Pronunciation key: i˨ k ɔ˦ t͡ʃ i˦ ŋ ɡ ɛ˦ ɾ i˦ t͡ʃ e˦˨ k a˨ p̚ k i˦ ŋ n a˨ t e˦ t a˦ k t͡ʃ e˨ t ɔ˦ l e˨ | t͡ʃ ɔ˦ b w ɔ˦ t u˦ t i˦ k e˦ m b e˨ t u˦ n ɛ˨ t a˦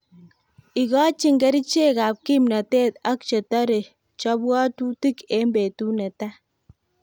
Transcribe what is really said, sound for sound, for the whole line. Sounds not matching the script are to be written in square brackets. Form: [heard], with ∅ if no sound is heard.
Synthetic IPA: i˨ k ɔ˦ t͡ʃ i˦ ŋ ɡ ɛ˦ ɾ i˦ t͡ʃ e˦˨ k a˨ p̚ k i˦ [m] n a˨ t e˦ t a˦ k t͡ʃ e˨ t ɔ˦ [ɾ] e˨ | t͡ʃ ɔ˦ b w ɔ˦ t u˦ t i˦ k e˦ m b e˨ t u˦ n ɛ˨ t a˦